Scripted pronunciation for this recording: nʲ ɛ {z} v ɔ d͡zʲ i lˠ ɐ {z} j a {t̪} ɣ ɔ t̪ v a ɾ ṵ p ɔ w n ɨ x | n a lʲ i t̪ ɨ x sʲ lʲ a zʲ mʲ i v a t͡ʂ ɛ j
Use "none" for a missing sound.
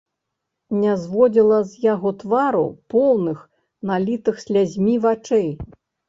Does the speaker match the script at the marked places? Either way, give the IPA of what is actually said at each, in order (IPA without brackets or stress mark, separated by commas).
z, z, none